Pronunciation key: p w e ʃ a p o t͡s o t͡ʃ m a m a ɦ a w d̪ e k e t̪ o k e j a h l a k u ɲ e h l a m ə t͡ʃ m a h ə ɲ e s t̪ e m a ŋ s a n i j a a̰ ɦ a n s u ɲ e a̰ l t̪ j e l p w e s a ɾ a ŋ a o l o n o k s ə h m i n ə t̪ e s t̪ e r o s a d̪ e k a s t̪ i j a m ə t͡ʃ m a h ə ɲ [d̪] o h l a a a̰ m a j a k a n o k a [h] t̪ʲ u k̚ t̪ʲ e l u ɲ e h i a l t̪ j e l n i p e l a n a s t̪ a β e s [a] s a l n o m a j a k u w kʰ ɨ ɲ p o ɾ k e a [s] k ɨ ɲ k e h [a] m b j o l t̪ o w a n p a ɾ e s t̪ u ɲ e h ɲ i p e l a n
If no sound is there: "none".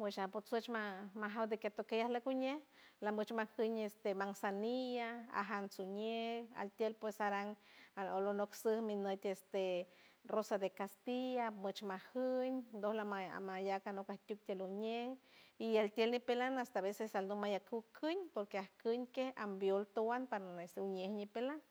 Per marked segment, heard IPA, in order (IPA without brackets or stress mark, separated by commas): d̪, h, e, h, a